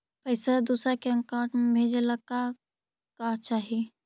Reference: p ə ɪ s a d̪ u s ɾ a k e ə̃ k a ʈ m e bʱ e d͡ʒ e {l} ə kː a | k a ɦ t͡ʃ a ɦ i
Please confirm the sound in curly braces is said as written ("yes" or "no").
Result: yes